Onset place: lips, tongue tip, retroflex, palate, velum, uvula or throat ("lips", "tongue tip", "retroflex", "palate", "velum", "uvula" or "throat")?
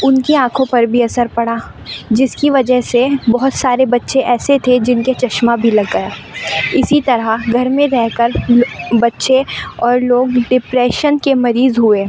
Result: tongue tip